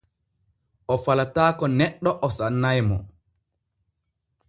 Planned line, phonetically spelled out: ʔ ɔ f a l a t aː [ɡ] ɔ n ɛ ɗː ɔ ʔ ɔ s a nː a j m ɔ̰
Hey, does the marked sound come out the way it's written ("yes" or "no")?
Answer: no